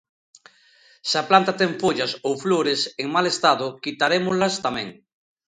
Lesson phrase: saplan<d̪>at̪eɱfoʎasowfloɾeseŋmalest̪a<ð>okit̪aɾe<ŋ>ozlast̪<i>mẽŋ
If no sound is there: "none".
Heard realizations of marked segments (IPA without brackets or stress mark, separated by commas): t̪, ð, m, a